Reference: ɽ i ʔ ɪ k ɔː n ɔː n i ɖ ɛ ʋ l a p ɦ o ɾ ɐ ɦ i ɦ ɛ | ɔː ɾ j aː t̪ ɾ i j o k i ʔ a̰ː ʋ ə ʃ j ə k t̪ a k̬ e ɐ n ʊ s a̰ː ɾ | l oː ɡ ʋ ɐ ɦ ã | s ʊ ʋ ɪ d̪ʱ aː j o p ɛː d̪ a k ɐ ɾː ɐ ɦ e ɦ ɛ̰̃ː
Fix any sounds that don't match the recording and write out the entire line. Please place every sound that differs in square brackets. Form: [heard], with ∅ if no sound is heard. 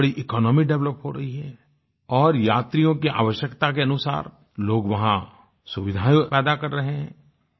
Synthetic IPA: ɽ i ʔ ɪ k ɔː n ɔː [m] i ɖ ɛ ʋ l [ə] p ɦ o ɾ ɐ ɦ i ɦ ɛ | ɔː ɾ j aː t̪ ɾ i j [õ] k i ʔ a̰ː ʋ ə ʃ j ə k t̪ a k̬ e ɐ n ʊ s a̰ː ɾ | l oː ɡ ʋ ɐ ɦ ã | s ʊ ʋ ɪ d̪ʱ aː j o p ɛː d̪ a k ɐ ɾː ɐ ɦ e ɦ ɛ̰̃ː